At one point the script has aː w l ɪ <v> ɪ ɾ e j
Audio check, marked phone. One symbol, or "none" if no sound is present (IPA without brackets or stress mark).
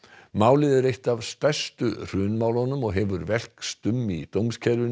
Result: ð